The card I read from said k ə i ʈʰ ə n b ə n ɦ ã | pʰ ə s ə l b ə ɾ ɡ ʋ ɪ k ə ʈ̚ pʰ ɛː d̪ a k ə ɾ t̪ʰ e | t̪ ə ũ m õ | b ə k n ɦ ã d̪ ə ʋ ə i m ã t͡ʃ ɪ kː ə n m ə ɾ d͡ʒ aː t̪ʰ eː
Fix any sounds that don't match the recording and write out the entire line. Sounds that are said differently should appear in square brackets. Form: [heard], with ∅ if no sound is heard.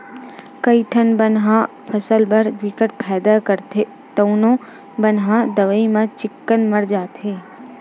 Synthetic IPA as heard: k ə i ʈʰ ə n b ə n ɦ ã | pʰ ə s ə l b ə ɾ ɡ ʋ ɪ k ə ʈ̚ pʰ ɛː d̪ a k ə ɾ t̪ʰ e | t̪ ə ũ [n] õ | b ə [∅] n ɦ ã d̪ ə ʋ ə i m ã t͡ʃ ɪ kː ə n m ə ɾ d͡ʒ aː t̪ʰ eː